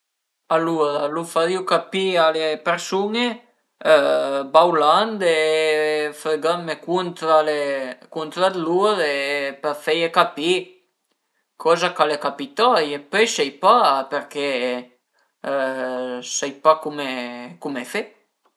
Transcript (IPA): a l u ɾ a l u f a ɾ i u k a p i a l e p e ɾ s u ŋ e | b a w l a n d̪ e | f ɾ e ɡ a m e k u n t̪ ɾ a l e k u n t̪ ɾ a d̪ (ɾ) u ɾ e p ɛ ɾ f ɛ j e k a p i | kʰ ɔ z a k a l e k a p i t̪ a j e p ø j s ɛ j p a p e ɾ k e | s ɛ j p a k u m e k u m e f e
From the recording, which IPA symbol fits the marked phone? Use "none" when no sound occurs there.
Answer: l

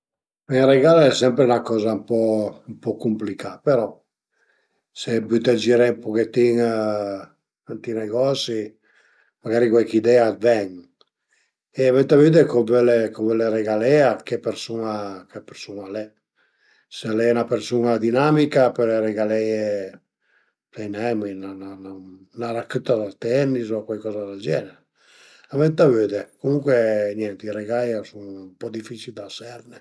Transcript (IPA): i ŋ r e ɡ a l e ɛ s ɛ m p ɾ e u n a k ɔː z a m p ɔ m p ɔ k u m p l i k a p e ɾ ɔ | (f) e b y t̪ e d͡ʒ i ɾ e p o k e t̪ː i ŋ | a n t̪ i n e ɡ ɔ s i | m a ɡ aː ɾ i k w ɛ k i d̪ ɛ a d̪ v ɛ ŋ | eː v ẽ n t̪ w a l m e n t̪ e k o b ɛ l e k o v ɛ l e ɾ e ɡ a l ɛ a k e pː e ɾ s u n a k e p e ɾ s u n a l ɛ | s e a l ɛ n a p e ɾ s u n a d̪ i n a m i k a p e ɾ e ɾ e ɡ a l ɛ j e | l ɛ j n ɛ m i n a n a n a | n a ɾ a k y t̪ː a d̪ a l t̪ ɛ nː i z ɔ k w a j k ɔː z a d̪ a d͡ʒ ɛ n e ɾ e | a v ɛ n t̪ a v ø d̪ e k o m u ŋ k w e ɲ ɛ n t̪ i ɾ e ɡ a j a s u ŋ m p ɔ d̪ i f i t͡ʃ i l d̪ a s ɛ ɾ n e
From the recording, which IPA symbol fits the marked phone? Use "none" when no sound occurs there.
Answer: s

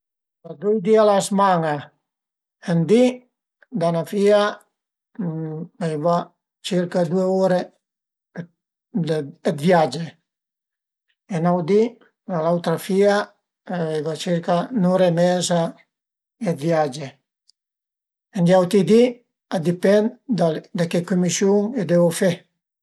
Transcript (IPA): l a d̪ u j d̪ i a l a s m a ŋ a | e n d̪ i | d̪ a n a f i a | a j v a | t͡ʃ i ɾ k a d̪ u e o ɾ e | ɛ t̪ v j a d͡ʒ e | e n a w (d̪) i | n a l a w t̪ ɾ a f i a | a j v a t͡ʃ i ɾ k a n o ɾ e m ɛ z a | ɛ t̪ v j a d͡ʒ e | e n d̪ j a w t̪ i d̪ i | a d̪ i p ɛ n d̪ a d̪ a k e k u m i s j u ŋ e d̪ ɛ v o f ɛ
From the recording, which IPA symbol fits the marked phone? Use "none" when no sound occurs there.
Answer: d̪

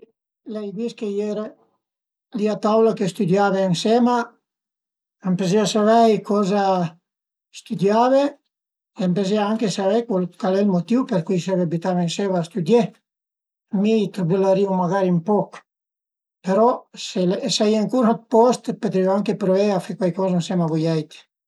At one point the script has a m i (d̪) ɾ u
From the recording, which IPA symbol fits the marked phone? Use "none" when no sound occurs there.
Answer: t̪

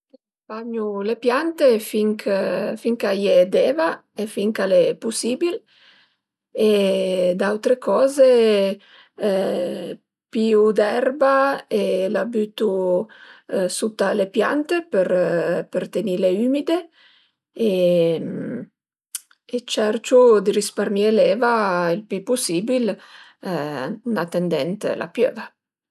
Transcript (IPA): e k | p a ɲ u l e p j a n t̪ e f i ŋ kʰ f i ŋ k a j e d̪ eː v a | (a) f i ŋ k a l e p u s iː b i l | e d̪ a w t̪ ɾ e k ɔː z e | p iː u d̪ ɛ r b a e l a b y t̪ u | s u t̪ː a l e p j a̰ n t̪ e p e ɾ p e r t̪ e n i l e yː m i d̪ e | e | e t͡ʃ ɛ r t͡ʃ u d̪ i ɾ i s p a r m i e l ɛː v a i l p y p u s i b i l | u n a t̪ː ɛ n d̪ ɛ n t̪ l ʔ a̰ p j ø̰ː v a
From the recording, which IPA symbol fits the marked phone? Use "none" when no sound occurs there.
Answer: e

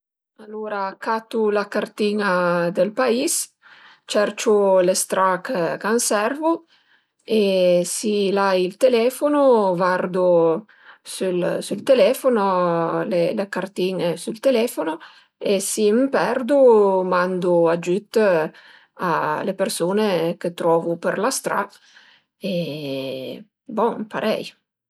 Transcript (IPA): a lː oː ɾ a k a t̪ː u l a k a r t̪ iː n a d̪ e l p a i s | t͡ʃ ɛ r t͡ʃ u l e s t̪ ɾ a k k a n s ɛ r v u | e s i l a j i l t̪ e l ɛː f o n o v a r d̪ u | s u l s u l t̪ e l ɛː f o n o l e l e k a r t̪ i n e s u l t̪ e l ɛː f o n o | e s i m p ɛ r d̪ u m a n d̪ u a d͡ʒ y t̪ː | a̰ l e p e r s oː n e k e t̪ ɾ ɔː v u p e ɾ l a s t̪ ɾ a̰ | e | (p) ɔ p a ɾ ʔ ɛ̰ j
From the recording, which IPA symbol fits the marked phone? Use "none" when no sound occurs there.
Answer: b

